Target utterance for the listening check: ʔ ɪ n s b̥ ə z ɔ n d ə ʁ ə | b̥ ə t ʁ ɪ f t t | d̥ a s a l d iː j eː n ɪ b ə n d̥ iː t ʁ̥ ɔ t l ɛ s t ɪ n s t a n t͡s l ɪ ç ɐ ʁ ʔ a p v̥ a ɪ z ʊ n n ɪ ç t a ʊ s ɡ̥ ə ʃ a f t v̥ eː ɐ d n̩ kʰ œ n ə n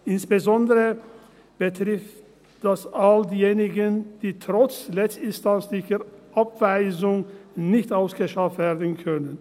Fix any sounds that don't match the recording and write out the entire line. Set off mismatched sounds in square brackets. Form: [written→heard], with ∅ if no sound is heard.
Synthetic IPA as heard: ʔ ɪ n s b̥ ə z ɔ n d ə ʁ ə | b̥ ə t ʁ ɪ f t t | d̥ a s a l d iː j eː n ɪ [b→ɡ] ə n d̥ iː t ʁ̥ ɔ [t→t͡s] l ɛ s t ɪ n s t a n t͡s l ɪ ç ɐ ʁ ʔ a p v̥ a ɪ z ʊ [n→ŋ] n ɪ ç t a ʊ s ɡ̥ ə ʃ a f t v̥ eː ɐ d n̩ kʰ œ n ə n